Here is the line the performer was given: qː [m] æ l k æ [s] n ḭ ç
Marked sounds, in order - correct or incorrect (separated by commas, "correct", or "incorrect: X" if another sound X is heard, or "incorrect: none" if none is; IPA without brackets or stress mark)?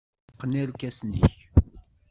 incorrect: n, correct